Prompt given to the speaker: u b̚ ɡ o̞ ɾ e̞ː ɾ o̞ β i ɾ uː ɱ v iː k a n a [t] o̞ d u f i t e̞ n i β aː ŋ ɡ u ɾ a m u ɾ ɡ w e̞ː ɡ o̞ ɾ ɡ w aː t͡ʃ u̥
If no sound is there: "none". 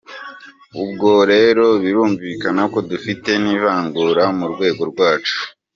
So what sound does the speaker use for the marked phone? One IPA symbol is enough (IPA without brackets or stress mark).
k